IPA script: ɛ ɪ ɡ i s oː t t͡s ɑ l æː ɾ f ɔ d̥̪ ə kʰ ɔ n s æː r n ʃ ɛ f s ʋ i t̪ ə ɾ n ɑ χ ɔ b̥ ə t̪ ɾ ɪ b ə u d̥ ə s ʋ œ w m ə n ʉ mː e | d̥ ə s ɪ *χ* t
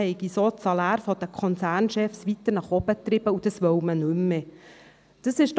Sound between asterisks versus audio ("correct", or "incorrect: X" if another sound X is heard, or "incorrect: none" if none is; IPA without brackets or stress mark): incorrect: ʃ